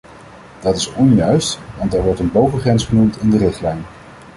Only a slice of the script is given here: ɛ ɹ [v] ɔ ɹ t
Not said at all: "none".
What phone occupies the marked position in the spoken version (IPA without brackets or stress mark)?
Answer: ʋ